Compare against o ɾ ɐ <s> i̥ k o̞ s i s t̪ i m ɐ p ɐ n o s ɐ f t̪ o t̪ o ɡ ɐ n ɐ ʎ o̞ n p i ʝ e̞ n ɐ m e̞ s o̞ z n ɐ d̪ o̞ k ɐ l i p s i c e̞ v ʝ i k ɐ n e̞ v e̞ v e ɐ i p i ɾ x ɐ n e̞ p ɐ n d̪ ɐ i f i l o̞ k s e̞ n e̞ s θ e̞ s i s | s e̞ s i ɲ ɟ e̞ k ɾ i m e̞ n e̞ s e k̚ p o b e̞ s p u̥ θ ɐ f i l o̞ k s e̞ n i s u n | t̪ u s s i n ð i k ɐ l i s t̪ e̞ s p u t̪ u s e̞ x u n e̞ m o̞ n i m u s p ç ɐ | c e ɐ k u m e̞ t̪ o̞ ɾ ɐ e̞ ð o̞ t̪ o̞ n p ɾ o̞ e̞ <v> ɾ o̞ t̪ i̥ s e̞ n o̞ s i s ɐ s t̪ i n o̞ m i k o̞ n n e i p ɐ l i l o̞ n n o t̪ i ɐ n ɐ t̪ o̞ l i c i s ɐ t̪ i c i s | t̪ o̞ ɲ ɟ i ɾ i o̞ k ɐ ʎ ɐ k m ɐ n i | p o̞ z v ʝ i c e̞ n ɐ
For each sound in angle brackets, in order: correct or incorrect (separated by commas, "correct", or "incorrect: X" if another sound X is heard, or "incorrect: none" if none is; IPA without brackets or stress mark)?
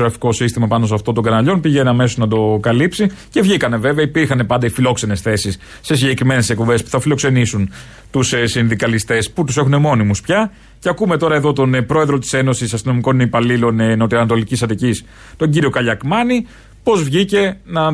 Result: incorrect: f, incorrect: ð